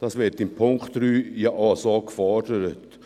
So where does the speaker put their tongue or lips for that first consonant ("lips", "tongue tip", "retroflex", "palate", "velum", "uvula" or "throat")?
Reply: tongue tip